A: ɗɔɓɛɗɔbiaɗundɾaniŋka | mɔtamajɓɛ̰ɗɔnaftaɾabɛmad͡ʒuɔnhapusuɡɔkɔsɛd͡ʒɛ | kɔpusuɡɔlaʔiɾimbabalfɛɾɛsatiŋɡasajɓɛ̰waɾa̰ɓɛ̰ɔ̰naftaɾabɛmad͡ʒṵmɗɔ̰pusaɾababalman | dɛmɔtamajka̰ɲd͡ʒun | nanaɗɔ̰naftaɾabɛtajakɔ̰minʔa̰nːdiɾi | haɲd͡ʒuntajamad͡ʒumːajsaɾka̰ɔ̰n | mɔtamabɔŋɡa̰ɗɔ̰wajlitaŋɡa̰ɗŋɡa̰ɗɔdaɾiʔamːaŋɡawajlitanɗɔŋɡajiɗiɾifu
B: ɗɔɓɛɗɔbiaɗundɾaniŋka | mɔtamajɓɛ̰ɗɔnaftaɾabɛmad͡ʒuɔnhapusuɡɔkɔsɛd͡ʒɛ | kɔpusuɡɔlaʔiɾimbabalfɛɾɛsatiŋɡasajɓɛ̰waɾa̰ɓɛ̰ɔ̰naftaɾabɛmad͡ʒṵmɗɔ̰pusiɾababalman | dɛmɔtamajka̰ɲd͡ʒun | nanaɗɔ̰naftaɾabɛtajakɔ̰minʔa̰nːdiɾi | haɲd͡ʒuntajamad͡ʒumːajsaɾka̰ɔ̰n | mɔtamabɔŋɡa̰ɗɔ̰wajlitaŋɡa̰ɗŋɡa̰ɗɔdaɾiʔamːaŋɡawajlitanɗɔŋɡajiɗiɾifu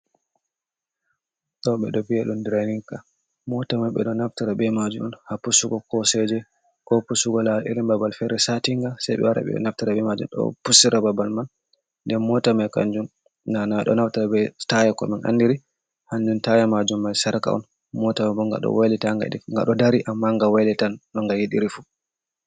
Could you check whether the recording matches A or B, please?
B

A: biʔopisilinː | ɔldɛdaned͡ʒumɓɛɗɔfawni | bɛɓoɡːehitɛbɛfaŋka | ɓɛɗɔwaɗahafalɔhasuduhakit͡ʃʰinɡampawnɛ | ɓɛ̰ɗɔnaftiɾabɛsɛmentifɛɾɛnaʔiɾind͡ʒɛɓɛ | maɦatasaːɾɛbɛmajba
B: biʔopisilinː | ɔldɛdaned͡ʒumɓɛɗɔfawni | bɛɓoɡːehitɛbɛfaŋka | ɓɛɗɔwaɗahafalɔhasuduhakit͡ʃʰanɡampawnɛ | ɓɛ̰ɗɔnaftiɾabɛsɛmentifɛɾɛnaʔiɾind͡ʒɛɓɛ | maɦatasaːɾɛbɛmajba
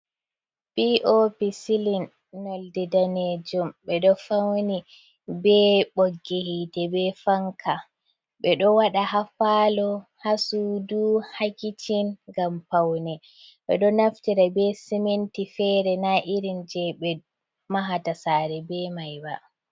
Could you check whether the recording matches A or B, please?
A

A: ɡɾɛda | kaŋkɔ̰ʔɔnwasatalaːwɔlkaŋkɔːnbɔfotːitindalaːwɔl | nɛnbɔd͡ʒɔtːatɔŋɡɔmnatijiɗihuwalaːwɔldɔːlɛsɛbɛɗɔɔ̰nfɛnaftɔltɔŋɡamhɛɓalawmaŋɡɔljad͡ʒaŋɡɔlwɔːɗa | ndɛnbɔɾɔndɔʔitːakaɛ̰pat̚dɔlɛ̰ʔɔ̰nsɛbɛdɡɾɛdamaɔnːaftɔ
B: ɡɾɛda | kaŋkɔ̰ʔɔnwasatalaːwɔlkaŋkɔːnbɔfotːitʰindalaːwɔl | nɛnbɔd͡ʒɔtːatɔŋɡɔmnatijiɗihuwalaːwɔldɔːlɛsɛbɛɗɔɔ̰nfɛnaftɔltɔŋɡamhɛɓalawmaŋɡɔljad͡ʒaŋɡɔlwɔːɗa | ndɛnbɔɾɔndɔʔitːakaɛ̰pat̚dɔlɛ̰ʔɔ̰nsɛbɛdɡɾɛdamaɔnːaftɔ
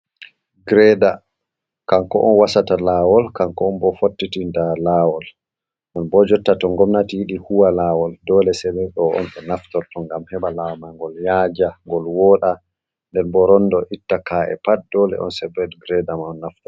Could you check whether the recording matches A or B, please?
A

